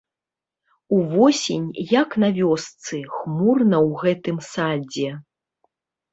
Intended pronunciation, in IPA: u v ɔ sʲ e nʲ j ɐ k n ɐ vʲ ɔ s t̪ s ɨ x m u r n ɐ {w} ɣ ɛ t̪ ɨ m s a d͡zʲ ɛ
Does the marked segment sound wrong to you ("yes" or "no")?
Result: no